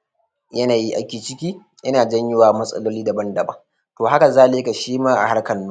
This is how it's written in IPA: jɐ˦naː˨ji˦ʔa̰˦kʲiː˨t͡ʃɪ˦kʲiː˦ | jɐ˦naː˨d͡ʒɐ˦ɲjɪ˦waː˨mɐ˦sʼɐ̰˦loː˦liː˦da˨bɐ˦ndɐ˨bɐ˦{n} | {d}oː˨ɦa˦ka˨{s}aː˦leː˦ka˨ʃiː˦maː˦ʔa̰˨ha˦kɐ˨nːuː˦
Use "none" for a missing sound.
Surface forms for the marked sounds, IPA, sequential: ŋ, t, z

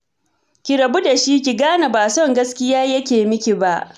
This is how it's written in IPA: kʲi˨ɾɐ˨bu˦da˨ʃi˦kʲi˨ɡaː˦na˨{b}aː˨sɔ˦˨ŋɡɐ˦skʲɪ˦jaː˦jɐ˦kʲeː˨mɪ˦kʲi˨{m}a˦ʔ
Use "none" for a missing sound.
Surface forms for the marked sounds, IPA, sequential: b, b

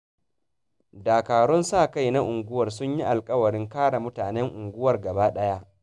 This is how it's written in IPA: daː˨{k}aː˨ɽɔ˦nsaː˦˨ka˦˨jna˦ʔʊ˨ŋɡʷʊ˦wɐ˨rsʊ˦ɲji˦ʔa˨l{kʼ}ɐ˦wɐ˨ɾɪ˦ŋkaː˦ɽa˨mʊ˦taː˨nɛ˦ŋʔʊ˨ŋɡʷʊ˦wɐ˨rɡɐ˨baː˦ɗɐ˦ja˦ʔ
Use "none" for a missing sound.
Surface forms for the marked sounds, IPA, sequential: k, kʼ

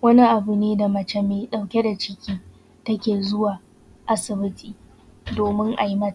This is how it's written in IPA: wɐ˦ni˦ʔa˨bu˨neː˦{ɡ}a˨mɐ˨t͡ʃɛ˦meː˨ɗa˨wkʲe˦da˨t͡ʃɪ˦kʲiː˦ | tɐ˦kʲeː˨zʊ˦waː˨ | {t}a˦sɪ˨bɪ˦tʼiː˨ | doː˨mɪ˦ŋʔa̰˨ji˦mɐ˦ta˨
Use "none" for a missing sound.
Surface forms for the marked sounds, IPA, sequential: d, ʔ

